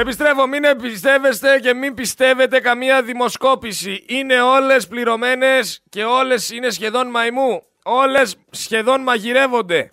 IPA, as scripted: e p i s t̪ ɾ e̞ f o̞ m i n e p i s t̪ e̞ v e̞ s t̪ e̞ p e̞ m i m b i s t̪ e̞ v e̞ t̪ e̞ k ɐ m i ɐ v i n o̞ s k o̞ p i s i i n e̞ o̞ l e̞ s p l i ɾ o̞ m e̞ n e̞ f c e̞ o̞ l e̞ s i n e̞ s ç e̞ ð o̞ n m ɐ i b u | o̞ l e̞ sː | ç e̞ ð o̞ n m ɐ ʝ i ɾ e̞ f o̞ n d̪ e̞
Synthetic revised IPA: e p i s t̪ ɾ e̞ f o̞ m i n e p i s t̪ e̞ v e̞ s t̪ e̞ c e̞ m i m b i s t̪ e̞ v e̞ t̪ e̞ k ɐ m i ɐ ð i m o̞ s k o̞ p i s i i n e̞ o̞ l e̞ s p l i ɾ o̞ m e̞ n e̞ s c e̞ o̞ l e̞ s i n e̞ s ç e̞ ð o̞ n m ɐ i m u | o̞ l e̞ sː | ç e̞ ð o̞ n m ɐ ʝ i ɾ e̞ v o̞ n d̪ e̞